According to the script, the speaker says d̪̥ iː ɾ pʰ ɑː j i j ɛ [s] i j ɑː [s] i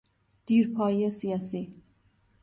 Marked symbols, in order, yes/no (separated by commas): yes, yes